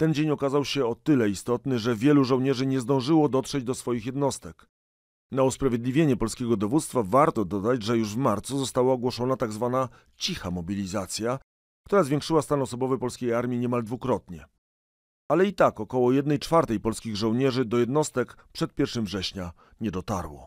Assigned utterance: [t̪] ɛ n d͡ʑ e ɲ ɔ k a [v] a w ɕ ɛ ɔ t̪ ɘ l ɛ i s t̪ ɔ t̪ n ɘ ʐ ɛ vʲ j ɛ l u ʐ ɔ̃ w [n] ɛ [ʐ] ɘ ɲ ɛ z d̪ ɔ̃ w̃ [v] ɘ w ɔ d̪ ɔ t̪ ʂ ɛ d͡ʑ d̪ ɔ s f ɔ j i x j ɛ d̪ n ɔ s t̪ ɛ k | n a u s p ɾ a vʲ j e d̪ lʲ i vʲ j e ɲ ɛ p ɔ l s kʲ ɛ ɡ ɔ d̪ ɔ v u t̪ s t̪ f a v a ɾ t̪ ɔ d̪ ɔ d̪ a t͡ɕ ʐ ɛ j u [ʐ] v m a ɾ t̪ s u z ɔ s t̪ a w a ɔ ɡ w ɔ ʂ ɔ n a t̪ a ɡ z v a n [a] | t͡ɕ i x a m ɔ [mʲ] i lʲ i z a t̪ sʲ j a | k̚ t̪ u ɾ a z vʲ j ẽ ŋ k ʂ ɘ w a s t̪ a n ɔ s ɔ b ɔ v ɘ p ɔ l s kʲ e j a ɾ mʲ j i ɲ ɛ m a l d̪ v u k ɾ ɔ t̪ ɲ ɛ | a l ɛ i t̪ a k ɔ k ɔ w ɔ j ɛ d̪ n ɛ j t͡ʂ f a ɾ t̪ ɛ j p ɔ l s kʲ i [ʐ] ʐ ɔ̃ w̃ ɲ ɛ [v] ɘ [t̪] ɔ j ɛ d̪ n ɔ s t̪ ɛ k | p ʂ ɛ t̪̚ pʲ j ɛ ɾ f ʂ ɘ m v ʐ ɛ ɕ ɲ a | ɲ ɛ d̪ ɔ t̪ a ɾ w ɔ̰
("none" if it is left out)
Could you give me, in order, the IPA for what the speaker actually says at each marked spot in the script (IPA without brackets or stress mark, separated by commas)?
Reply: t̪, z, ɲ, ʐ, ʐ, ʐ, a, bʲ, ɣ, ʐ, d̪